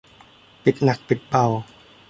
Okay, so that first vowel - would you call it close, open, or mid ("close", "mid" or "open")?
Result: close